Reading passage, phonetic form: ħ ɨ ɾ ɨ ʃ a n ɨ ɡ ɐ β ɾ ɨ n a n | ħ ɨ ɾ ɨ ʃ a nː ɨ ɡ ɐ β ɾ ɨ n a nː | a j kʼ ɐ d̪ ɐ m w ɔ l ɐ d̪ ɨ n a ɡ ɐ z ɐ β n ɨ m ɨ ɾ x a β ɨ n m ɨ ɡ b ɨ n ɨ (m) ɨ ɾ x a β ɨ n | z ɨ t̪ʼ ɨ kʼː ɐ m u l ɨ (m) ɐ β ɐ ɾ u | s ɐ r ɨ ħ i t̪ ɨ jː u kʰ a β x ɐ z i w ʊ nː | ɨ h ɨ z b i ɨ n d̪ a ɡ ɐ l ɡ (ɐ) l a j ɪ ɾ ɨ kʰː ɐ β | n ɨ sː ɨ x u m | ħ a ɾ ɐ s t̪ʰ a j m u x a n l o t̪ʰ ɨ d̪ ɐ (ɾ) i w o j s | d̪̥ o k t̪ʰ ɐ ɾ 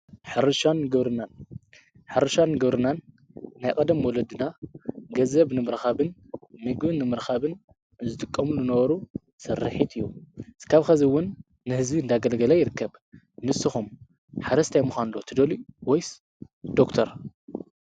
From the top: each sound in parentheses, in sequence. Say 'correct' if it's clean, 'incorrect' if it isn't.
correct, incorrect, correct, incorrect

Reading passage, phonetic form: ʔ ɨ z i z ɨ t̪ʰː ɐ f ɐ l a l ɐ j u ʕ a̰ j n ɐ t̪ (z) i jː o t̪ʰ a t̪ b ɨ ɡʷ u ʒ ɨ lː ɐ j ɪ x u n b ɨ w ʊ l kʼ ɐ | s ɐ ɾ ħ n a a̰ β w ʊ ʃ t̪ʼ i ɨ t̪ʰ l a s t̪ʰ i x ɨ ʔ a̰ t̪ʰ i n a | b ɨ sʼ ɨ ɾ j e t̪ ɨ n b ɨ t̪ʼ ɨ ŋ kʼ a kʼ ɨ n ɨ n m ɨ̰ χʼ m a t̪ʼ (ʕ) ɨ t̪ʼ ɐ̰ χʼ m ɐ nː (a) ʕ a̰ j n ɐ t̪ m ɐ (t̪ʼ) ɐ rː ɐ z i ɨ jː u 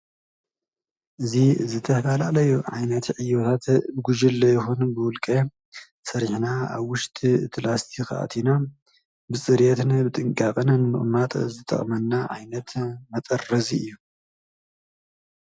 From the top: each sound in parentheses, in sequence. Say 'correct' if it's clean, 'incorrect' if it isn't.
incorrect, incorrect, correct, correct

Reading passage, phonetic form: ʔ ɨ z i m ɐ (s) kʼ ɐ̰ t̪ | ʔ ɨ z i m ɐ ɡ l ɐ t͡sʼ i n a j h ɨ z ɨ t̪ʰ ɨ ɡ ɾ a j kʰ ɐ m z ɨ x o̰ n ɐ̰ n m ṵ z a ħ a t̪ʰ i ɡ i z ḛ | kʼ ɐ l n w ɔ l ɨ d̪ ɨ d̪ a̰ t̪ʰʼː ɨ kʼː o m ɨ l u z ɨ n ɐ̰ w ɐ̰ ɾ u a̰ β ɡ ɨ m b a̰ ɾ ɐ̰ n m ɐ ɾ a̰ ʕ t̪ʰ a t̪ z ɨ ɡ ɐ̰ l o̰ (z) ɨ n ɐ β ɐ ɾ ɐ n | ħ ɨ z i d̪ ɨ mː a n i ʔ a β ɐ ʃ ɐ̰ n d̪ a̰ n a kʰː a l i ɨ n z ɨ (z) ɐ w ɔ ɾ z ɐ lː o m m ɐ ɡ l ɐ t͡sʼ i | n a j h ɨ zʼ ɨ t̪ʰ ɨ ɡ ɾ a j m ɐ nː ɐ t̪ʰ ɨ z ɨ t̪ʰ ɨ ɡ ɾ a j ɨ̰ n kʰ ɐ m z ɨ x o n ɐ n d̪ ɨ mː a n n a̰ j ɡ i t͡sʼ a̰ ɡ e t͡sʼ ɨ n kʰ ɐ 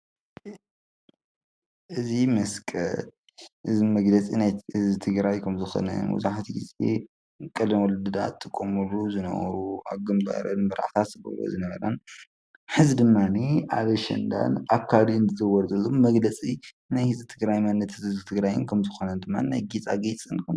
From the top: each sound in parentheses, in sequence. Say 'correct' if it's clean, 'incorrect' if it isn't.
correct, correct, correct

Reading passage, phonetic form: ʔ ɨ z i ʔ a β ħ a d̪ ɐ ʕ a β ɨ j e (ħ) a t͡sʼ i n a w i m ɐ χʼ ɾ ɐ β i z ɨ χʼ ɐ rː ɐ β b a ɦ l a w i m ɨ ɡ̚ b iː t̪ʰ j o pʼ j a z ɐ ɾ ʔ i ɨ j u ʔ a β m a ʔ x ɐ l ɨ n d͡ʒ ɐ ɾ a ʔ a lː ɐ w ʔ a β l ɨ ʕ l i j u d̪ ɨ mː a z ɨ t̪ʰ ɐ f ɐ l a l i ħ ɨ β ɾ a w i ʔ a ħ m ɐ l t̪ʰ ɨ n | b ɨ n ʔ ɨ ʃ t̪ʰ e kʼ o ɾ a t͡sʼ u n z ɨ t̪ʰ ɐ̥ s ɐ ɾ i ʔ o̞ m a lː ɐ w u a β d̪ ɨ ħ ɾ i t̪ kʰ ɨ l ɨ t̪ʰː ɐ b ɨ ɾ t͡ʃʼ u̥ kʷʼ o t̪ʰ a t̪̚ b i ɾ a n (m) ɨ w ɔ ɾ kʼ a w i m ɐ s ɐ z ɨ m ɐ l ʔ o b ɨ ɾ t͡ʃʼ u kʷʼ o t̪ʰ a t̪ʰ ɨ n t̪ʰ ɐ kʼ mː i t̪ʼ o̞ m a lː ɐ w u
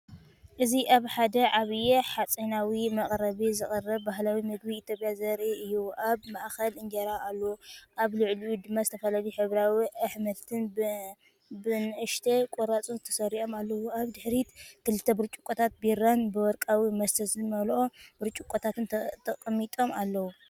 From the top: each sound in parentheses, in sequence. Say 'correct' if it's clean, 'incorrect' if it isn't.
correct, incorrect

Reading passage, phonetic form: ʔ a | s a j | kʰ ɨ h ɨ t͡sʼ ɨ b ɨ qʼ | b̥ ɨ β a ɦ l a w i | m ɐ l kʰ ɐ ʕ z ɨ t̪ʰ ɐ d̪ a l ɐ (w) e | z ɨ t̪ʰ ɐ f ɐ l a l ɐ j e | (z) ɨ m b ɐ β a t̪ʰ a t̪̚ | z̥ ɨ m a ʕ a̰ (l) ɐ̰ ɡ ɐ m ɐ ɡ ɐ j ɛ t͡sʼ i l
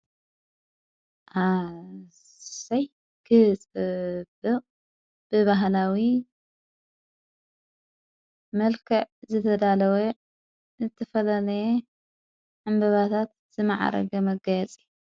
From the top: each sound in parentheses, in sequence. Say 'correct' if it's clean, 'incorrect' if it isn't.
correct, incorrect, incorrect

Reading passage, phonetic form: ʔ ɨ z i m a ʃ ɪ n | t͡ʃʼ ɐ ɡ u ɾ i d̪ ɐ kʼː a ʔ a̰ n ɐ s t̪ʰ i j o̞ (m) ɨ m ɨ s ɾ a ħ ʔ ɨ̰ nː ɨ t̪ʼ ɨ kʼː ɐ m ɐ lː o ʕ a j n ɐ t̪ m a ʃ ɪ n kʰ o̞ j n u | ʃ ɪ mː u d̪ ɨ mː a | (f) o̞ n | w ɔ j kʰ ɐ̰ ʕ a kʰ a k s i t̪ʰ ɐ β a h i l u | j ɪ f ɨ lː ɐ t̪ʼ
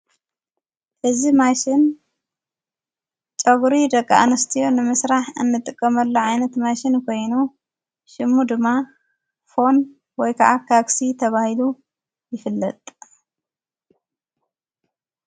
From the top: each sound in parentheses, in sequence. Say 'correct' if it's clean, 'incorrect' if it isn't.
incorrect, correct

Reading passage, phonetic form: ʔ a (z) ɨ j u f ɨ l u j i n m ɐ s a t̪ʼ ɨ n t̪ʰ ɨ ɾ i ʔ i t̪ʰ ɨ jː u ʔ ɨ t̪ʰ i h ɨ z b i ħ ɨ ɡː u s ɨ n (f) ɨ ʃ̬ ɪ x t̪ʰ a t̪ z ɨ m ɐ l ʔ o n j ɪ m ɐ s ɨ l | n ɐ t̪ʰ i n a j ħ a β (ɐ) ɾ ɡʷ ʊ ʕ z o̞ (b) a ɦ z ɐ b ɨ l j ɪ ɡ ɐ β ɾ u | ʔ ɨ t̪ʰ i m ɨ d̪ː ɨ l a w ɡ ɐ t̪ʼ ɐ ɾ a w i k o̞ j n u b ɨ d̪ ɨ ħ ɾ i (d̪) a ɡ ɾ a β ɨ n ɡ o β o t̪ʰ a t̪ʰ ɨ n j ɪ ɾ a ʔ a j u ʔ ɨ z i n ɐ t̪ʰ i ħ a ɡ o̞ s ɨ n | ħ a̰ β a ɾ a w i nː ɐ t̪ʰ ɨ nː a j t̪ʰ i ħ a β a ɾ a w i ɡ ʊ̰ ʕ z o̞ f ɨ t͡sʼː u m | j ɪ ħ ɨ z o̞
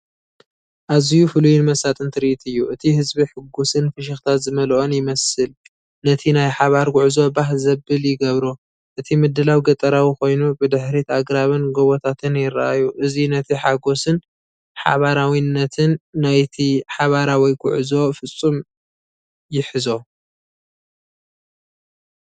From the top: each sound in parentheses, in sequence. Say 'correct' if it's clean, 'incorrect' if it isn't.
correct, correct, incorrect, correct, incorrect

